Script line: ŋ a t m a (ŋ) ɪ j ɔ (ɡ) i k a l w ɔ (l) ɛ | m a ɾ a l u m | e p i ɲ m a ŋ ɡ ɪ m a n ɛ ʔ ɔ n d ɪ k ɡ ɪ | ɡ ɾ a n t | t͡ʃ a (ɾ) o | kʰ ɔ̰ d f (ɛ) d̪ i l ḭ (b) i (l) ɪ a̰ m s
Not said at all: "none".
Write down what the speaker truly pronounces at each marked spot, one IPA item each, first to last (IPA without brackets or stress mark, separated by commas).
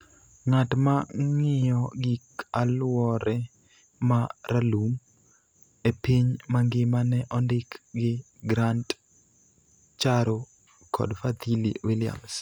ŋ, ɡ, ɾ, ɾ, a, w, l